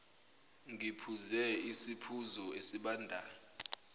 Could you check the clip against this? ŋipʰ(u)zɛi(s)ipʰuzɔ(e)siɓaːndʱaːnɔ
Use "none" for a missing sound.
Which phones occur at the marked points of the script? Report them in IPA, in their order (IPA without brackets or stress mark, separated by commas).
u, s, e